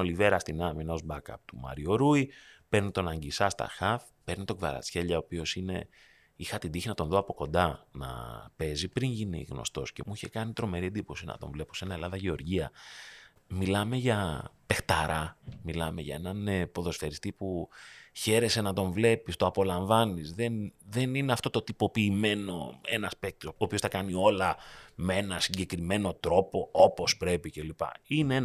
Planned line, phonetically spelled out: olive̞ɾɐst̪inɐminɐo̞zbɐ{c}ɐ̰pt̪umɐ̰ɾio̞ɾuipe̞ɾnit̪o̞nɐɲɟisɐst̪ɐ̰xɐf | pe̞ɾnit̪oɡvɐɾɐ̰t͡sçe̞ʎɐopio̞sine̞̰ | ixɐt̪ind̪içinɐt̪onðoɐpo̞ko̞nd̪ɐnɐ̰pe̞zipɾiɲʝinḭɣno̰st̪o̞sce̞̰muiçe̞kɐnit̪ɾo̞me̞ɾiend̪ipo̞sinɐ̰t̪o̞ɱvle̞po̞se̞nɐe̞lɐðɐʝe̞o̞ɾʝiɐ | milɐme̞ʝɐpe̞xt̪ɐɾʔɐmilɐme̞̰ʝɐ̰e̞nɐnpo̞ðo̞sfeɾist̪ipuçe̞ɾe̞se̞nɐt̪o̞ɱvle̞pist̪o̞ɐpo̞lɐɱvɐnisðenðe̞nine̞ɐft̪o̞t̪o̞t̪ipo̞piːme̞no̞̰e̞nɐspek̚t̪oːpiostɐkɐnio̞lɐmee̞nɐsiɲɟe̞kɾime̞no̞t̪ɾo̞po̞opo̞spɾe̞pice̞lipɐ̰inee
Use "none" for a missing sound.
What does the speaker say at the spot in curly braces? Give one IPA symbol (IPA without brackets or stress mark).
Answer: k